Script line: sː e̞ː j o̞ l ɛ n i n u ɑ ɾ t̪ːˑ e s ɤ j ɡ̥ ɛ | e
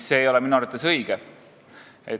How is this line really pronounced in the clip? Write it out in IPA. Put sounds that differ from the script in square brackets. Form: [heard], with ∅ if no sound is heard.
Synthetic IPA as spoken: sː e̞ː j o̞ l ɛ [m] i n u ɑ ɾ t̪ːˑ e s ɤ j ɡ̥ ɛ | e